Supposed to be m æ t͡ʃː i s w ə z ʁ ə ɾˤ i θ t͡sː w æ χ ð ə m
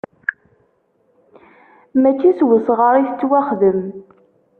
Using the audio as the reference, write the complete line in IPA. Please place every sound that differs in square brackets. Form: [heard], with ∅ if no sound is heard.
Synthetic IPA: m æ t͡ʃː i s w ə [s] ʁ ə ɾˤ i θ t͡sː w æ χ ð ə m

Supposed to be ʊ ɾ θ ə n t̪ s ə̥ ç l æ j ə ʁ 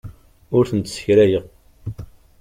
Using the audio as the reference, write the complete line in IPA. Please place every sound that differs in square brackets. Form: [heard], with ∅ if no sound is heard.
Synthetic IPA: ʊ ɾ θ ə n t̪ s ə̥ ç [ɾ] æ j ə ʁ

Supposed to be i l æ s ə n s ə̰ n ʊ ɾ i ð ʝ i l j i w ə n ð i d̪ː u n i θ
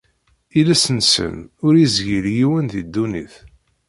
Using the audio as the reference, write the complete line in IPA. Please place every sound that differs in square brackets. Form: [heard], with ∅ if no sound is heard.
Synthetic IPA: i l æ s ə n s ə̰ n ʊ ɾ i [z] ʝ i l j i w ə n ð i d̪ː u n i θ

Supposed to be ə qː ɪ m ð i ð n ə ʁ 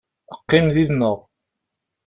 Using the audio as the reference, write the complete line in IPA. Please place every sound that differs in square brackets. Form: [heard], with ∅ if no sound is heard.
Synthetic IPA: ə qː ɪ m ð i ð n ə ʁ

